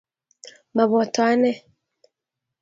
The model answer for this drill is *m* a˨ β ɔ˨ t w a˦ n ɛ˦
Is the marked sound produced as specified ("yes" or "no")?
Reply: yes